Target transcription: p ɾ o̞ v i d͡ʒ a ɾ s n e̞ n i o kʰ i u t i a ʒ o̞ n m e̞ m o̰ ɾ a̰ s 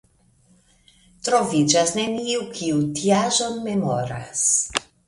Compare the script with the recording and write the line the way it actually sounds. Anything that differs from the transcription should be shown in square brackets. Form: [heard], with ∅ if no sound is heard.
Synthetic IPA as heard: [t] ɾ o̞ v i d͡ʒ a [∅] s n e̞ n i [u] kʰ i u t i a ʒ o̞ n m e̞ m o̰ ɾ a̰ s